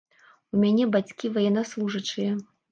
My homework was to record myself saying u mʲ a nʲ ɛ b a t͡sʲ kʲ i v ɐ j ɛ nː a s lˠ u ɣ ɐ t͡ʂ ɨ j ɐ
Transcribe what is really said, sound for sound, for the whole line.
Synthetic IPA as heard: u mʲ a nʲ ɛ b a t͡sʲ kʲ i v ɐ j ɛ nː a s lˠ u ʐ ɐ t͡ʂ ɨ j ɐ